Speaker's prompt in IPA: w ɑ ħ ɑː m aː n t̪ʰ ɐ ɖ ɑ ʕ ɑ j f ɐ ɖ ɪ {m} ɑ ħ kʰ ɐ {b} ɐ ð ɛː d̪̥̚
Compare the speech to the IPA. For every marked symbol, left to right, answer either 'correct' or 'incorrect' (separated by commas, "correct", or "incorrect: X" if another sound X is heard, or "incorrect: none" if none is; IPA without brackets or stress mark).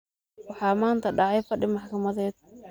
correct, incorrect: m